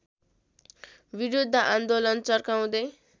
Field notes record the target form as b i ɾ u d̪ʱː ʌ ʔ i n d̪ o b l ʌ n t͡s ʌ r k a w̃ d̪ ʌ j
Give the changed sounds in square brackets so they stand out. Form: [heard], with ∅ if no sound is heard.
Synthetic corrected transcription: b i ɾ u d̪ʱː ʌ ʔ [a] n d̪ o [∅] l ʌ n t͡s ʌ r k a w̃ d̪ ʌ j